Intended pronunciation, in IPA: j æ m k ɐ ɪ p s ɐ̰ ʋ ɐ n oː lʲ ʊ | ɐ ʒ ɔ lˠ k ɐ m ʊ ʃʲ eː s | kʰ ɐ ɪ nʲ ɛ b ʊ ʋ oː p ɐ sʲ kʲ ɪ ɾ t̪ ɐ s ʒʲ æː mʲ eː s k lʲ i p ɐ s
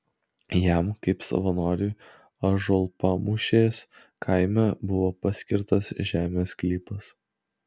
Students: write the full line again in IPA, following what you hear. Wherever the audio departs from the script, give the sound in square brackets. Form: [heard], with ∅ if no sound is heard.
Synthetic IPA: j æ m k ɐ ɪ p s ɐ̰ ʋ ɐ n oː [ɾʲ] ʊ | ɐ ʒ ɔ lˠ [p] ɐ m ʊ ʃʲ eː s | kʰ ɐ ɪ [mʲ] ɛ b ʊ ʋ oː p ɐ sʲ kʲ ɪ ɾ t̪ ɐ s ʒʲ æː mʲ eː s k lʲ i p ɐ s

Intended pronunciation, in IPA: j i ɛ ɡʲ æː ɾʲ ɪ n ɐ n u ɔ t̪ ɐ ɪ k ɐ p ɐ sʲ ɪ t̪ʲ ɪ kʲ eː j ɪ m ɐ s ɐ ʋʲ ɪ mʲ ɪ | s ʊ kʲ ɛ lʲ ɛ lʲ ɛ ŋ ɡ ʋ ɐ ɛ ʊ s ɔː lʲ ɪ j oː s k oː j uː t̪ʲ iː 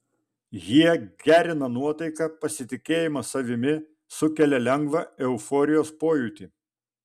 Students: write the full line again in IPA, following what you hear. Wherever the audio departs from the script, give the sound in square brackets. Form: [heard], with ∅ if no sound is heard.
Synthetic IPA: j i ɛ ɡʲ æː ɾʲ ɪ n ɐ n u ɔ t̪ ɐ ɪ k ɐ p ɐ sʲ ɪ t̪ʲ ɪ kʲ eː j ɪ m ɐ s ɐ ʋʲ ɪ mʲ ɪ | s ʊ kʲ ɛ lʲ ɛ lʲ ɛ ŋ ɡ ʋ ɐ ɛ ʊ [f] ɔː [ɾʲ] ɪ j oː s [p] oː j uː t̪ʲ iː

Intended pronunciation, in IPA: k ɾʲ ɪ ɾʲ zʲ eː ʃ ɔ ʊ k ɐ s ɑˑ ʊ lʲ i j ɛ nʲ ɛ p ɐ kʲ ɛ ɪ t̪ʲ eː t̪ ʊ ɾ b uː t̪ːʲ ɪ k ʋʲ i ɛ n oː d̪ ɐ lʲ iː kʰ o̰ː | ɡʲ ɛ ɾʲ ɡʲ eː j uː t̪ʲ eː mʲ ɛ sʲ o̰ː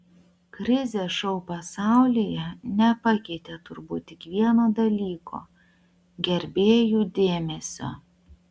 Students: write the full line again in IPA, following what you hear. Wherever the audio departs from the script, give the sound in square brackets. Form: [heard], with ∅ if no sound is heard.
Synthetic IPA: k ɾʲ ɪ [∅] zʲ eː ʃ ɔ ʊ [p] ɐ s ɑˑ ʊ lʲ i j ɛ nʲ ɛ p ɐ kʲ ɛ ɪ t̪ʲ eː t̪ ʊ ɾ b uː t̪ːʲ ɪ k ʋʲ i ɛ n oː d̪ ɐ lʲ iː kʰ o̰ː | ɡʲ ɛ ɾʲ [bʲ] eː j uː [d̪ʲ] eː mʲ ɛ sʲ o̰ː

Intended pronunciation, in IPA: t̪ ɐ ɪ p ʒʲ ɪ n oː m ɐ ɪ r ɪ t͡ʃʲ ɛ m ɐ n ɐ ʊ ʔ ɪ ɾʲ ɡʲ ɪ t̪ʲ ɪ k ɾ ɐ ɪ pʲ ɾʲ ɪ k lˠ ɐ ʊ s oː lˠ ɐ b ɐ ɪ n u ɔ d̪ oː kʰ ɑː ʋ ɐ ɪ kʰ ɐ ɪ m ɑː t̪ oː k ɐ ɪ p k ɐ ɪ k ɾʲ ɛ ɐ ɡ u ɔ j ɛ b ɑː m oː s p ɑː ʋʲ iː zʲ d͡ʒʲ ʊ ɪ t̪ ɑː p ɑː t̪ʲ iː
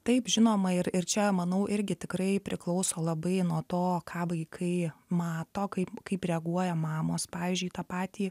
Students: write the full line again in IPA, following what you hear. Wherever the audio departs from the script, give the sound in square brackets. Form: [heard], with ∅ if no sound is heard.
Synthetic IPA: t̪ ɐ ɪ p ʒʲ ɪ n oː m ɐ ɪ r ɪ t͡ʃʲ ɛ m ɐ n ɐ ʊ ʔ ɪ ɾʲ ɡʲ ɪ t̪ʲ ɪ k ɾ ɐ ɪ pʲ ɾʲ ɪ k lˠ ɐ ʊ s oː lˠ ɐ b ɐ ɪ n u ɔ [t̪] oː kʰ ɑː ʋ ɐ ɪ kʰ ɐ ɪ m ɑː t̪ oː k ɐ ɪ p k ɐ ɪ [p] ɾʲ ɛ ɐ ɡ u ɔ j ɛ [m] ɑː m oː s p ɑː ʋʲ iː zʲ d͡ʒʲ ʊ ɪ t̪ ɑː p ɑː t̪ʲ iː

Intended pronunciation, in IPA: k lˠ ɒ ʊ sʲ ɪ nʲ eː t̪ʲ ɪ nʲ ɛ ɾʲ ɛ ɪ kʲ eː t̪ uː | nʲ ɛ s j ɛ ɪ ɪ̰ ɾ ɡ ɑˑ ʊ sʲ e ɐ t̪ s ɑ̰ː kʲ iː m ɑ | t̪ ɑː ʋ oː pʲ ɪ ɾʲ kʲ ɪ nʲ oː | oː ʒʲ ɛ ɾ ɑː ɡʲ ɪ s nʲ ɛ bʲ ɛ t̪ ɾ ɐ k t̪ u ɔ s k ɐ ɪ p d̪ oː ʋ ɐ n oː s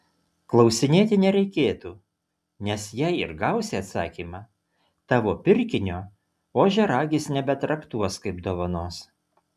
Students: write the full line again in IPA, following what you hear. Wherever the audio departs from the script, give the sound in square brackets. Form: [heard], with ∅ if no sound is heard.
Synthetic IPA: k lˠ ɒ ʊ sʲ ɪ nʲ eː t̪ʲ ɪ nʲ ɛ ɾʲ ɛ ɪ kʲ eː t̪ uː | nʲ ɛ s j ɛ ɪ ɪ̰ ɾ ɡ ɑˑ ʊ sʲ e ɐ t̪ s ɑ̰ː kʲ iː m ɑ | t̪ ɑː ʋ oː pʲ ɪ ɾʲ kʲ ɪ nʲ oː | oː ʒʲ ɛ ɾ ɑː ɡʲ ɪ s nʲ ɛ bʲ ɛ t̪ ɾ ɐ k t̪ u ɔ s k ɐ ɪ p d̪ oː ʋ ɐ n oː s

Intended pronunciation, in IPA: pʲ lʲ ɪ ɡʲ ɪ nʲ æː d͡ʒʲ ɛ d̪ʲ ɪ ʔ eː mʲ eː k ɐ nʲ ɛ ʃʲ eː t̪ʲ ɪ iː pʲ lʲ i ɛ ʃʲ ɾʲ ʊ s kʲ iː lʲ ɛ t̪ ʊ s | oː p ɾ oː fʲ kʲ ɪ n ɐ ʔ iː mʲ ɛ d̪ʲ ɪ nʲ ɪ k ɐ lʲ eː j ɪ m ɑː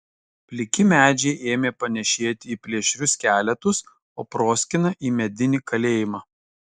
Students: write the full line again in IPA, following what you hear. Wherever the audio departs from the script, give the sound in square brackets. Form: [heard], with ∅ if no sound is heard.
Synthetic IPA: pʲ lʲ ɪ [kʲ] ɪ [mʲ] æː d͡ʒʲ ɛ [∅] ɪ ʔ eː mʲ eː [p] ɐ nʲ ɛ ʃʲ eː t̪ʲ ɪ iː pʲ lʲ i ɛ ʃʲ ɾʲ ʊ s kʲ [æː] lʲ ɛ t̪ ʊ s | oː p ɾ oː [sʲ] kʲ ɪ n ɐ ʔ iː mʲ ɛ d̪ʲ ɪ nʲ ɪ k ɐ lʲ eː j ɪ m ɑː

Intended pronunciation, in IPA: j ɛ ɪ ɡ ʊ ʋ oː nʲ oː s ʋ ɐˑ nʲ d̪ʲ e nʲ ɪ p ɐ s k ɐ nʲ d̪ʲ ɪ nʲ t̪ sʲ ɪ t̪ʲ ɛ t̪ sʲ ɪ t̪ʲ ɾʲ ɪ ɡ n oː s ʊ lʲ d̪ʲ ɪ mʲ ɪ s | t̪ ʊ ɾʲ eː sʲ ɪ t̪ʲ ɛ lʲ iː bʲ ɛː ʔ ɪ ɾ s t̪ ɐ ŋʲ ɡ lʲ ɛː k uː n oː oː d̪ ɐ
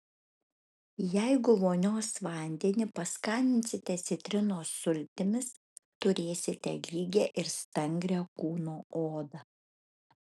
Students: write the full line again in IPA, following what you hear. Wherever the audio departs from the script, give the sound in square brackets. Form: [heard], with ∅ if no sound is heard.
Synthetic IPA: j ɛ ɪ ɡ ʊ ʋ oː nʲ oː s ʋ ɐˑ nʲ d̪ʲ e nʲ ɪ p ɐ s k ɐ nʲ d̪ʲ ɪ nʲ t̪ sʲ ɪ t̪ʲ ɛ t̪ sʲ ɪ t̪ʲ ɾʲ ɪ [∅] n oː s ʊ lʲ [t̪ʲ] ɪ mʲ ɪ s | t̪ ʊ ɾʲ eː sʲ ɪ t̪ʲ ɛ lʲ iː [ɡʲ] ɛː ʔ ɪ ɾ s t̪ ɐ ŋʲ ɡ [ɾʲ] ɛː k uː n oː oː d̪ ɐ

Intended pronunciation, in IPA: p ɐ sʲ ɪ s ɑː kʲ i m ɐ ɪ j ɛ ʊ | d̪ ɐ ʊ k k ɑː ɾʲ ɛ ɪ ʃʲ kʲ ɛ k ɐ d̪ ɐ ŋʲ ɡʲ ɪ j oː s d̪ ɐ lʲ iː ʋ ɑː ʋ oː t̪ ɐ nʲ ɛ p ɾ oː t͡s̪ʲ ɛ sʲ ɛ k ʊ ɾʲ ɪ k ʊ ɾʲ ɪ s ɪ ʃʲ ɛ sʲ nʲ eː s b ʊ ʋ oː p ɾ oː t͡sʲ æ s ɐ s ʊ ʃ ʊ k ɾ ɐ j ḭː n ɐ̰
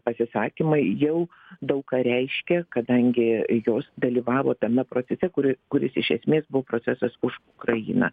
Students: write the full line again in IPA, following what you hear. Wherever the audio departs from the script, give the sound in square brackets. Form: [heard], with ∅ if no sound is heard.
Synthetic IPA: p ɐ sʲ ɪ s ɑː kʲ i m ɐ ɪ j ɛ ʊ | d̪ ɐ ʊ k k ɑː ɾʲ ɛ ɪ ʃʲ kʲ ɛ k ɐ d̪ ɐ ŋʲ ɡʲ ɪ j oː s d̪ ɐ lʲ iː ʋ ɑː ʋ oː t̪ ɐ [mʲ] ɛ p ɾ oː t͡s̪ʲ ɛ sʲ ɛ k ʊ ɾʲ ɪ k ʊ ɾʲ ɪ s ɪ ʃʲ ɛ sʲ [mʲ] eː s b ʊ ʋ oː p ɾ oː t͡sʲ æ s ɐ s ʊ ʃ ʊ k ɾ ɐ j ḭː n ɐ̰

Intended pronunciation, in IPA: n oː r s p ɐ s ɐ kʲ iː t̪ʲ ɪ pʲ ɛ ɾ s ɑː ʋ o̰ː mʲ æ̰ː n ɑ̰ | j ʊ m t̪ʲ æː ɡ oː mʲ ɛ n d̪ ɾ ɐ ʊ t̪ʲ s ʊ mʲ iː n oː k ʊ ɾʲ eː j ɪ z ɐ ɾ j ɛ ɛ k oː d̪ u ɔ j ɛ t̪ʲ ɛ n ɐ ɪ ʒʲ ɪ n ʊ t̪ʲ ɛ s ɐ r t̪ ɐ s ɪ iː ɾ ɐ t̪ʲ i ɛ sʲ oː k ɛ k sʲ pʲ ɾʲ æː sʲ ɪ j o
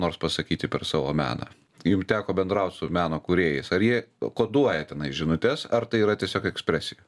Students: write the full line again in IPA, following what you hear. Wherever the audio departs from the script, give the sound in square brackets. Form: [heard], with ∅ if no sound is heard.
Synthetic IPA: n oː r s p ɐ s ɐ kʲ iː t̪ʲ ɪ pʲ ɛ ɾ s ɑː ʋ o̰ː mʲ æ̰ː n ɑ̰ | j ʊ m t̪ʲ æː [k] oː [bʲ] ɛ n d̪ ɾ ɐ ʊ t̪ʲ s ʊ mʲ [æː] n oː k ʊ ɾʲ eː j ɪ [s] ɐ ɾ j [i] ɛ k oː d̪ u ɔ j ɛ t̪ʲ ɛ n ɐ ɪ ʒʲ ɪ n ʊ t̪ʲ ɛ s ɐ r t̪ ɐ [∅] ɪ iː ɾ ɐ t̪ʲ i ɛ sʲ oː k ɛ k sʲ pʲ ɾʲ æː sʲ ɪ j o

